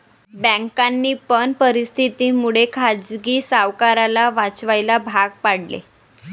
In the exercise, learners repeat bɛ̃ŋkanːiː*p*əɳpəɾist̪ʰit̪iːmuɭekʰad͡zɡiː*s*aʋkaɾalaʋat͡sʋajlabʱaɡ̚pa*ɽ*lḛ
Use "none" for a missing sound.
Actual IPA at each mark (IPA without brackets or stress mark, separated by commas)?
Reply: p, s, ɽ